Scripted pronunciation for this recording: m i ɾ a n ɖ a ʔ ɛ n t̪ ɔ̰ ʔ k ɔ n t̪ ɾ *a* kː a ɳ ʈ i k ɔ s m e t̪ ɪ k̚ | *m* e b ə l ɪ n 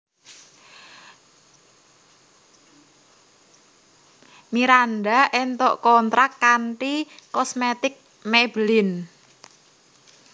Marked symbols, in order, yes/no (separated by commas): yes, yes